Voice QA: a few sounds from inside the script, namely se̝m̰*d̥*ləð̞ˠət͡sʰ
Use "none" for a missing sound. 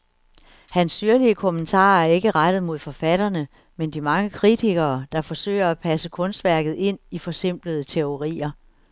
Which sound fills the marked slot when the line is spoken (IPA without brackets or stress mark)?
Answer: b̥